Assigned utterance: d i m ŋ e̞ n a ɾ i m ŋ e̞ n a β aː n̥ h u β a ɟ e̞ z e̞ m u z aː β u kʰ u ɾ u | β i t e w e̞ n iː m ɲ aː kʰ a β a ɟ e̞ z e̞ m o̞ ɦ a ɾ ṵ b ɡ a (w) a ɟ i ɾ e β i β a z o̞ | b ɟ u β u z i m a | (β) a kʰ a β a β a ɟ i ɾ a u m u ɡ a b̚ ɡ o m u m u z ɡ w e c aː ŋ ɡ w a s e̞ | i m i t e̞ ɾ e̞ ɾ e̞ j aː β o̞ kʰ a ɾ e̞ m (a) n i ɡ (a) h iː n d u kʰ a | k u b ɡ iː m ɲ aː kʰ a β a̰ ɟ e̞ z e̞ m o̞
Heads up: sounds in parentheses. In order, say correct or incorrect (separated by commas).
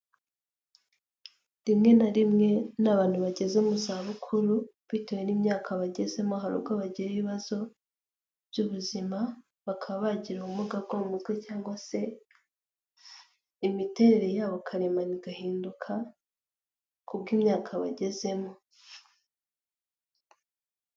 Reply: incorrect, correct, correct, correct